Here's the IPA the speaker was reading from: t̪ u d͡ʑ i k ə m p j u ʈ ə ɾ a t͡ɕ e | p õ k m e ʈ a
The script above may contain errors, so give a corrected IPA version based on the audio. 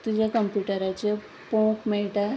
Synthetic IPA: t̪ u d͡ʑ a k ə m p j u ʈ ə ɾ a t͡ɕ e | p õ k m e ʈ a